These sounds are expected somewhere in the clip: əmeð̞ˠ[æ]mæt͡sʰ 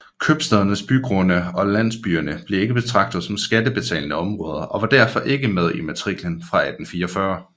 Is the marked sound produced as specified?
no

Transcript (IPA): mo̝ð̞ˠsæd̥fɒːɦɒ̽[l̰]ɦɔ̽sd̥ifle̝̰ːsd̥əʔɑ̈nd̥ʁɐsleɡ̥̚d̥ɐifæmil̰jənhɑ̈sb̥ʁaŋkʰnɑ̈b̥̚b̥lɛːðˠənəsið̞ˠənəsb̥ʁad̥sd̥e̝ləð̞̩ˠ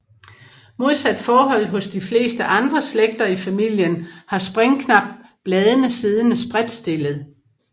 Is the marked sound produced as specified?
yes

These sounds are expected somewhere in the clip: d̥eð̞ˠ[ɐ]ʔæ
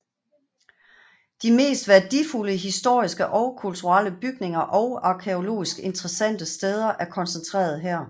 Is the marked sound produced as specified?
yes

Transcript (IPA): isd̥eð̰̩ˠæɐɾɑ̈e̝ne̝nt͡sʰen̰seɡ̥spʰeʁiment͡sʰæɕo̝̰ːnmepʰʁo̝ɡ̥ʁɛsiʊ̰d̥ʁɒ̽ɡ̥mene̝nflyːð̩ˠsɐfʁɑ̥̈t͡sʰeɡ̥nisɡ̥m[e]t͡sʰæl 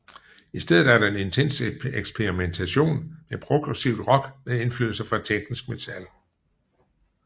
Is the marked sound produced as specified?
yes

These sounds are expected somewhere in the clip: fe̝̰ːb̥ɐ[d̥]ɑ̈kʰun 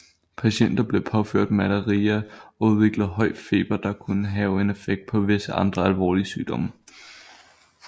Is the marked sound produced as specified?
yes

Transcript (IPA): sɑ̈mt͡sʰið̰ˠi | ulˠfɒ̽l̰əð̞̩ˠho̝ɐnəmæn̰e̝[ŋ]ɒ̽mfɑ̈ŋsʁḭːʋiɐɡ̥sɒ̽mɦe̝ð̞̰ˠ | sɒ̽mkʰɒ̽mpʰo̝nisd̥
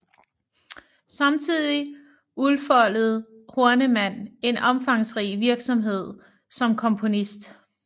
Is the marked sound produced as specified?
no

